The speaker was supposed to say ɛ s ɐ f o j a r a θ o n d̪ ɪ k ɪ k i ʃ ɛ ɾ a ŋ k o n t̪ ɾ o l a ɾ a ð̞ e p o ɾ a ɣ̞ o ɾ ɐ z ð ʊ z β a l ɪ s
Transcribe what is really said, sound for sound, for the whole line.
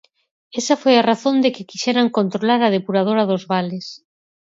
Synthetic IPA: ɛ s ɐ f o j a r a θ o n d̪ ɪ k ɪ k i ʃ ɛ ɾ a ŋ k o n t̪ ɾ o l a ɾ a ð̞ e p u ɾ a ð̞ o ɾ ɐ ð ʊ z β a l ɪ s